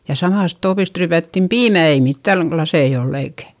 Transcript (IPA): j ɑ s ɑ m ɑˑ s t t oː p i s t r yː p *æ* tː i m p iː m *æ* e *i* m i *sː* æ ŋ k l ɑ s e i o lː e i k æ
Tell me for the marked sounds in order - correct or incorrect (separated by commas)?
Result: correct, correct, correct, incorrect